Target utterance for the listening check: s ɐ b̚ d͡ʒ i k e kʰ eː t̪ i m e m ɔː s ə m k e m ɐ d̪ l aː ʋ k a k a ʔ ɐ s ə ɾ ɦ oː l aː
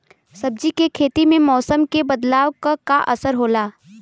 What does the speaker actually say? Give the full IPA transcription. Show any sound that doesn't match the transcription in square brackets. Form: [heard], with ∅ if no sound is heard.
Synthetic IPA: s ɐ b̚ d͡ʒ i k e kʰ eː t̪ i m [ẽ] m ɔː s ə m k e [b] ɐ d̪ l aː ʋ k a k a ʔ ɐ s ə ɾ ɦ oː l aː

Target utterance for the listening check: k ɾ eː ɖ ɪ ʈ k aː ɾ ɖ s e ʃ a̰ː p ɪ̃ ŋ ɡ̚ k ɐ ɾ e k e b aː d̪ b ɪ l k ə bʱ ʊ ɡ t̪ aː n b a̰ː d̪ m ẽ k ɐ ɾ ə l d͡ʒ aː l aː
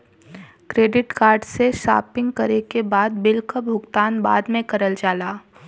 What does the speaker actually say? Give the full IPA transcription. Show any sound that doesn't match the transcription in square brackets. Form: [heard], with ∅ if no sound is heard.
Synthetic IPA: k ɾ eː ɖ ɪ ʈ k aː ɾ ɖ s e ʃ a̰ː p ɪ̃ ŋ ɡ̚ k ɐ ɾ e k e b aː d̪ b ɪ l k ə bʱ ʊ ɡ t̪ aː n b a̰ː d̪ m ẽ k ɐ ɾ ə l d͡ʒ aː l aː

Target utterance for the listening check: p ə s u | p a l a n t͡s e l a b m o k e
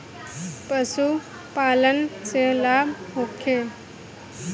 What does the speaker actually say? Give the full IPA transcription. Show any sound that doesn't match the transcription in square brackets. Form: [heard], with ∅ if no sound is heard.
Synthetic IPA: p ə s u | p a l [ə] n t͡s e l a b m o [kʰ] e

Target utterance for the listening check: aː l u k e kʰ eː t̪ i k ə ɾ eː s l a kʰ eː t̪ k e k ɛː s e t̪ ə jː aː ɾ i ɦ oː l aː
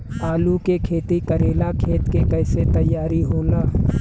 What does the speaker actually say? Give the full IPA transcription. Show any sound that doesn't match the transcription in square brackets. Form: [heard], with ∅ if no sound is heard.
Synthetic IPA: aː l u k e kʰ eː t̪ i k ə ɾ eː [∅] l a kʰ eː t̪ k e k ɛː s e t̪ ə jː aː ɾ i ɦ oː l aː

